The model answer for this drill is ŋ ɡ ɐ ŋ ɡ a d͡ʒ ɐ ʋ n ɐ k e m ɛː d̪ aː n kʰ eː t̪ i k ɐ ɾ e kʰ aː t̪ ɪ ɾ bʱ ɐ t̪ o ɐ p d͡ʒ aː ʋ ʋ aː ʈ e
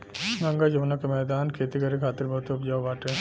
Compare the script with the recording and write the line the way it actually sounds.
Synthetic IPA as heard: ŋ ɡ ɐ ŋ ɡ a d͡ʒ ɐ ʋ n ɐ k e m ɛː d̪ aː n kʰ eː t̪ i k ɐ ɾ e kʰ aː t̪ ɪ ɾ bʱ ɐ t̪ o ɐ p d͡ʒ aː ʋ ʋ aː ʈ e